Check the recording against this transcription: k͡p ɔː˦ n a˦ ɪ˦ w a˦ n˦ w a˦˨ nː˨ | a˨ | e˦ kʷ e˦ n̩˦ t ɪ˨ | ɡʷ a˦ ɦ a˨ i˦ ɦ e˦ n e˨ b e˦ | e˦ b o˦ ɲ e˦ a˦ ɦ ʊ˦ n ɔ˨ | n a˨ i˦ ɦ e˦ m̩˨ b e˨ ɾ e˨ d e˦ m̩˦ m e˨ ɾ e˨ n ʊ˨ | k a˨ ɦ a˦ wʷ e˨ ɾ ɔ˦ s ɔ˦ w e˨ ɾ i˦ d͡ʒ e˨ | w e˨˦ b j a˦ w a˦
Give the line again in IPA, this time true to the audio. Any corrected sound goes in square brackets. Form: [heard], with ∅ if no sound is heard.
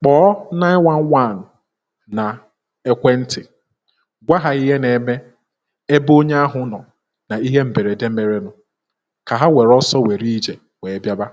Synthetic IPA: k͡p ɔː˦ n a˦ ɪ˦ w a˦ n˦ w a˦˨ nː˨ | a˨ | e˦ kʷ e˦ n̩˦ t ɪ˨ | ɡʷ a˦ ɦ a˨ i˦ ɦ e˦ n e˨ [m] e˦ | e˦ b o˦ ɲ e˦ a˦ ɦ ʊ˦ n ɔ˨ | n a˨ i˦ ɦ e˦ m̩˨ b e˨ ɾ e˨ d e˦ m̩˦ m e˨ ɾ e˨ n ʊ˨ | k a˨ ɦ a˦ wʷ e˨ ɾ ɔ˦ s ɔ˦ w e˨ ɾ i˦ d͡ʒ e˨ | w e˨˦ b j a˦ [b] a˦

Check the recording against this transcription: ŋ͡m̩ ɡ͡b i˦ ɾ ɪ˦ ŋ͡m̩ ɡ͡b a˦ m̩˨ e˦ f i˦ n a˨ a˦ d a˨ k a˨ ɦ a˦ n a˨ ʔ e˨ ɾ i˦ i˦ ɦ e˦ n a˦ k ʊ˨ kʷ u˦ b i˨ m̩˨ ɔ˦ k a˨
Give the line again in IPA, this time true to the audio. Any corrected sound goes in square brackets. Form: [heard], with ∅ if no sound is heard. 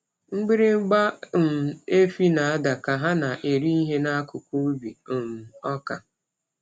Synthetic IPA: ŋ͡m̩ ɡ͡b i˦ ɾ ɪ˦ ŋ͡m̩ ɡ͡b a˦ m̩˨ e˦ f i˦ n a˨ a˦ d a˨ k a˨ ɦ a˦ n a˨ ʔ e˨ ɾ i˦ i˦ ɦ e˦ n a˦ k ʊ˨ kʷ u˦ b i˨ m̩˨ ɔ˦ k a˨

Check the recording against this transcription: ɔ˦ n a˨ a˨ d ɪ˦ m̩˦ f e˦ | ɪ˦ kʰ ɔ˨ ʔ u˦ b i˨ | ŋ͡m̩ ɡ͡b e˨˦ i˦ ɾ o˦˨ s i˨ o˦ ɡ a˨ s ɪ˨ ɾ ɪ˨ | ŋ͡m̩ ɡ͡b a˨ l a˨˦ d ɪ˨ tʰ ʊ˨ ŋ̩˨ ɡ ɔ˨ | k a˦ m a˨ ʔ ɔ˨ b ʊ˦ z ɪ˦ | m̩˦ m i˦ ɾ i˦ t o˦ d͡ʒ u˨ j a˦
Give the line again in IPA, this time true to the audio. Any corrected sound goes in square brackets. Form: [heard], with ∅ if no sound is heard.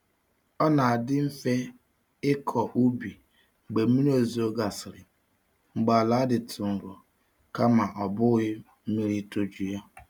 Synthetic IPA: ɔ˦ n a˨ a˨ d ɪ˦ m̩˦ f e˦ | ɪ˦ kʰ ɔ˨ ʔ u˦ b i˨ | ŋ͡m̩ ɡ͡b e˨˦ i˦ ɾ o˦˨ [z] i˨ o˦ ɡ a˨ s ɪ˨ ɾ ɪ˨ | ŋ͡m̩ ɡ͡b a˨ l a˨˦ d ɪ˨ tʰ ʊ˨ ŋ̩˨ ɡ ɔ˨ | k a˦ m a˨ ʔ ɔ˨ b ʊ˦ [ɣ] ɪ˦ | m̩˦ m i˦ ɾ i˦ t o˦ d͡ʒ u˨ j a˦

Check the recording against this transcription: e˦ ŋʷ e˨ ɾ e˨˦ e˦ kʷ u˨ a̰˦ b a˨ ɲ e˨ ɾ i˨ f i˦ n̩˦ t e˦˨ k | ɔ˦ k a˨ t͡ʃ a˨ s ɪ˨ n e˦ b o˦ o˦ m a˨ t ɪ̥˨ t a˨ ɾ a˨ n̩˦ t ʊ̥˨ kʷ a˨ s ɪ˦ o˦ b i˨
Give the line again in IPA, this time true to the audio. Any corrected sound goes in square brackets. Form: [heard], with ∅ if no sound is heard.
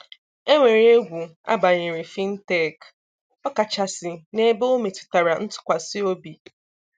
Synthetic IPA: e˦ ŋʷ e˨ ɾ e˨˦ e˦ [ɡʷ] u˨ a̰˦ b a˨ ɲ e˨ ɾ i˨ f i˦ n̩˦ t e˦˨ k | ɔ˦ k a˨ t͡ʃ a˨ s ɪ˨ n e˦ b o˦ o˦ m [e˨] t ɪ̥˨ t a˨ ɾ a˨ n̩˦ t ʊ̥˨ kʷ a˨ s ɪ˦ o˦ b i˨

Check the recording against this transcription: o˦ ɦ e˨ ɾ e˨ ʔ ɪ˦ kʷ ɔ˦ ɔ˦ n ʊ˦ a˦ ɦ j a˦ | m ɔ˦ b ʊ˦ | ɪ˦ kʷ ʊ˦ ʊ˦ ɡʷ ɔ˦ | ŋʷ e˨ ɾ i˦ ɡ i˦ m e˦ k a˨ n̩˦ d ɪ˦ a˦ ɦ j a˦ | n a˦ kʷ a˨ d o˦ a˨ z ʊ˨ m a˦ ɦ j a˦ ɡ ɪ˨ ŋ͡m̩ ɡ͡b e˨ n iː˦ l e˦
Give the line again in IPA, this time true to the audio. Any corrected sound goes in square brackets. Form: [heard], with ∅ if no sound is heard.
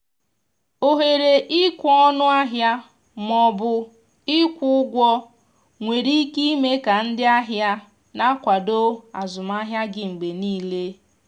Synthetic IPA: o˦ ɦ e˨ ɾ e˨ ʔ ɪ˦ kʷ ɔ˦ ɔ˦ n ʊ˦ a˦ ɦ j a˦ | m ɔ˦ b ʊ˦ | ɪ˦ kʷ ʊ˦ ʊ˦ ɡʷ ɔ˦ | ŋʷ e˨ ɾ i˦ [k] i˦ m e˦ k a˨ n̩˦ d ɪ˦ a˦ ɦ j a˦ | n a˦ kʷ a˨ d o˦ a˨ z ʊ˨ m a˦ ɦ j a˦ ɡ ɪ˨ ŋ͡m̩ ɡ͡b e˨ n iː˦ l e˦

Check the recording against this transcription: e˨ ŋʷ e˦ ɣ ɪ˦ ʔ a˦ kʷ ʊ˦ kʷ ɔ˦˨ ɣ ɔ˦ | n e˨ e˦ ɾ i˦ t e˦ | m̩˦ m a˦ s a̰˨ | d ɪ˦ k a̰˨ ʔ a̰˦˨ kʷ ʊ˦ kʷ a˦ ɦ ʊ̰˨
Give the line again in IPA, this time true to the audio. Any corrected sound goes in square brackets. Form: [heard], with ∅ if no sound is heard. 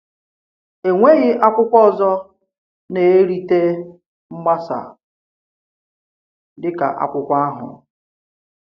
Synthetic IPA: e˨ ŋʷ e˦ ɣ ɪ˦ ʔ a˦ kʷ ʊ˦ kʷ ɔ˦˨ [z] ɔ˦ | n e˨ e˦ ɾ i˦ t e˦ | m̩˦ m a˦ s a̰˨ | d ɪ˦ k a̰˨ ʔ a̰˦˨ kʷ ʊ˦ kʷ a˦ ɦ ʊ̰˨

